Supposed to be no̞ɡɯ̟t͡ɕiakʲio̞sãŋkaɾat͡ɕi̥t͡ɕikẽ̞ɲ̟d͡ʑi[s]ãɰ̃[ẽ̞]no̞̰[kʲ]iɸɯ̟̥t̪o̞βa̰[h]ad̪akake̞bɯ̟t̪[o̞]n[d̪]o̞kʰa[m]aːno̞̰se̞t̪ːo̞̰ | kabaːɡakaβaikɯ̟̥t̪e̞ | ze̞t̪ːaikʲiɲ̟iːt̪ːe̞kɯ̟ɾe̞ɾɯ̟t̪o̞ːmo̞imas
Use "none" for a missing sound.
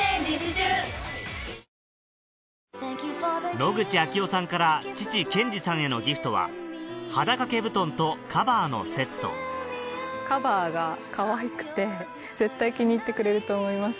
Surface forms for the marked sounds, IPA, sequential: s, e̞, ɡʲ, h, õ̞, t̪, b

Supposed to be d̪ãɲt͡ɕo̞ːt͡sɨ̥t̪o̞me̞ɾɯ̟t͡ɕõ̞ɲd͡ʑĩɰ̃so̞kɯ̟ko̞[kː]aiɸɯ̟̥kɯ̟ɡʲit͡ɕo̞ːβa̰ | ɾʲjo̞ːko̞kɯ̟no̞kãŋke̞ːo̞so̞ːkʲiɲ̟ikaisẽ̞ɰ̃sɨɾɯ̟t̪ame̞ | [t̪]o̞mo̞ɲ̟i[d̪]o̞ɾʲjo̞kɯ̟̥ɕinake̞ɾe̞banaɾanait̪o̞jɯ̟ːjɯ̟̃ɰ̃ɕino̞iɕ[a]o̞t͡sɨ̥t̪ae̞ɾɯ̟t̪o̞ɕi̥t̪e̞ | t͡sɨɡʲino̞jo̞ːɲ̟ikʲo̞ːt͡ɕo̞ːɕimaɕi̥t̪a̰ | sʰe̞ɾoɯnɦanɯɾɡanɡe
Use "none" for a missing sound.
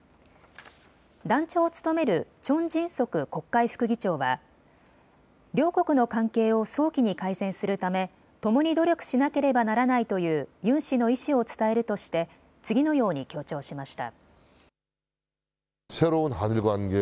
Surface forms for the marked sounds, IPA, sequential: kː, t̪, d̪, i

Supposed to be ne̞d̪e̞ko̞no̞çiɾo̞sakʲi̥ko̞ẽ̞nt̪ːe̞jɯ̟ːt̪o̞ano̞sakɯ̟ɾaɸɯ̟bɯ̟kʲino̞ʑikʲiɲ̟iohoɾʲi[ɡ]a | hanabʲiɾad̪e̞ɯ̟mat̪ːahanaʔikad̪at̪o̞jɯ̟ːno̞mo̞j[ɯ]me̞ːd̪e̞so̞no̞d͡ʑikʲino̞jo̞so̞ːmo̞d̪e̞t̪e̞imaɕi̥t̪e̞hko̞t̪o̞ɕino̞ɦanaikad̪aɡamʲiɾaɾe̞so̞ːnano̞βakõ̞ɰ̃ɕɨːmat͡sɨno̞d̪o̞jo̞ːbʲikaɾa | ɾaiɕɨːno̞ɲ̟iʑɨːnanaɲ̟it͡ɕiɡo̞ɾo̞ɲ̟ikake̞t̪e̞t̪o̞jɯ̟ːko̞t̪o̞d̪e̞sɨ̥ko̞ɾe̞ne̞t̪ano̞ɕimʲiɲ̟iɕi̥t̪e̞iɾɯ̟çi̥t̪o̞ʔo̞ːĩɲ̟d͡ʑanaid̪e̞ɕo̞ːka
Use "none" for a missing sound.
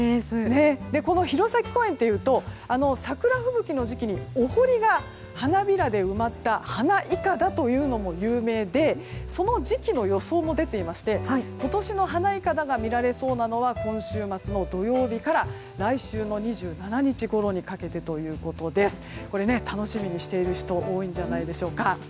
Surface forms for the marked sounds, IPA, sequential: ɡ, ɯː

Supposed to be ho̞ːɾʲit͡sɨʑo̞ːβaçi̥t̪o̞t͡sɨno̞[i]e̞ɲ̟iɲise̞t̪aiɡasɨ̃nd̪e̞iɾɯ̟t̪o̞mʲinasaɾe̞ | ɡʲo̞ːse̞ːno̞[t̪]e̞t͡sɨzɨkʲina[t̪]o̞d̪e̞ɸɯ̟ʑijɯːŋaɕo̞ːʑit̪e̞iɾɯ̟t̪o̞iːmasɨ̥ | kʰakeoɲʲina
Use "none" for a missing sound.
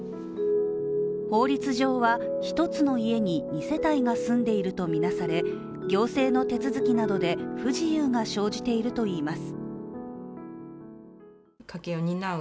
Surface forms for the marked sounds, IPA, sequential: i, t̪, d̪

